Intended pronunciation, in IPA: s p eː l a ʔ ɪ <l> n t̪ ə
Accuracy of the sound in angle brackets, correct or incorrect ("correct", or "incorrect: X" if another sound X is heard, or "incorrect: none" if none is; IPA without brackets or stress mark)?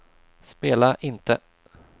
incorrect: none